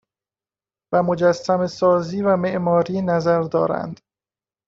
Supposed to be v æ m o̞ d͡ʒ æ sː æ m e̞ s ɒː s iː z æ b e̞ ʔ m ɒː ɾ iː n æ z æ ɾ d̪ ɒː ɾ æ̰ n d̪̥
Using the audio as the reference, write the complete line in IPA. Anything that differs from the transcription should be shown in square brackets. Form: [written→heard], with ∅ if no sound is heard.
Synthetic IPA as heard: v æ m o̞ d͡ʒ æ sː æ m e̞ s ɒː [s→z] iː [z→v] æ [b→m] e̞ ʔ m ɒː ɾ iː n æ z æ ɾ d̪ ɒː ɾ æ̰ n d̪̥